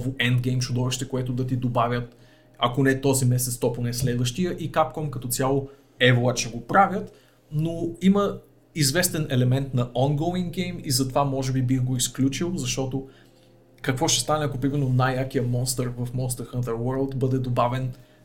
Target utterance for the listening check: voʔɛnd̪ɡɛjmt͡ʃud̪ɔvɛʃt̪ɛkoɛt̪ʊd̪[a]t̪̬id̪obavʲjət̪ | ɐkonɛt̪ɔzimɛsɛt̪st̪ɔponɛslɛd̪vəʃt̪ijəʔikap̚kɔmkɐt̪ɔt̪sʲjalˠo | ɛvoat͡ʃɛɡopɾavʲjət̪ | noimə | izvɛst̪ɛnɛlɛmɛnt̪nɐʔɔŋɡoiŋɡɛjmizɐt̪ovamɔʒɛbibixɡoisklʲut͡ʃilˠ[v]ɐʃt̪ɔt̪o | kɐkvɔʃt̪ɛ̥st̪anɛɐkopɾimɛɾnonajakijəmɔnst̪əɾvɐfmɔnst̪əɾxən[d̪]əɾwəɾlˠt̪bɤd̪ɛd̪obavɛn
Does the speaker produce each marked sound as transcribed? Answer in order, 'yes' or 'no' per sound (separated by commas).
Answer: no, no, no